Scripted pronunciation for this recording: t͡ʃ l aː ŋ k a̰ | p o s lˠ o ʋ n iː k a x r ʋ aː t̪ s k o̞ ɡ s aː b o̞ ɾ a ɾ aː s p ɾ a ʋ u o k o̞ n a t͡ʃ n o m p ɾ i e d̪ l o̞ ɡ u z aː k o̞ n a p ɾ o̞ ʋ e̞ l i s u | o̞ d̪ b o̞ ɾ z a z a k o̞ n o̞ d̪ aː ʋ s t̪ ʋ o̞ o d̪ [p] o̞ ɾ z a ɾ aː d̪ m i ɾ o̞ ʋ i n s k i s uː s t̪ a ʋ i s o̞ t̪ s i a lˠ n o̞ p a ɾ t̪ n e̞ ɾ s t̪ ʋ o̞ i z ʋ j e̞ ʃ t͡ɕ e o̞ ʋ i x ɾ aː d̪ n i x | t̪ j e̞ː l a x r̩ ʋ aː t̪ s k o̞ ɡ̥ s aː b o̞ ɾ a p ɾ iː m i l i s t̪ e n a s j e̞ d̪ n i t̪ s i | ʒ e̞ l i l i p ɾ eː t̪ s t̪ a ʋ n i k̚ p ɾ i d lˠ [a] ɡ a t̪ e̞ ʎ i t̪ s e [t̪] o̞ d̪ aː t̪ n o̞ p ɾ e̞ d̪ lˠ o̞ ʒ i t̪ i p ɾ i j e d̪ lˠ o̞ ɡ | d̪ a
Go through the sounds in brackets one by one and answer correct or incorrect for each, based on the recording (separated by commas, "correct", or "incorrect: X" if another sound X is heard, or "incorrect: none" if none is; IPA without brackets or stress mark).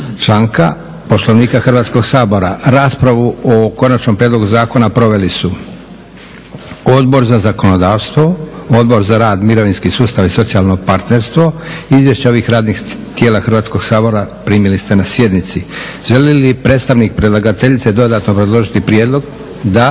incorrect: b, correct, incorrect: d̪